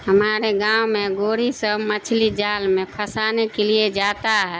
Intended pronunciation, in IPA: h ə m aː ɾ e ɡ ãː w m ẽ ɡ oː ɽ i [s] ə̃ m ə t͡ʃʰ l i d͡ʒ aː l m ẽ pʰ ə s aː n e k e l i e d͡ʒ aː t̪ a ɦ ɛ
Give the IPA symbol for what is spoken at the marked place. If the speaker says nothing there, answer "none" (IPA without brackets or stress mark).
s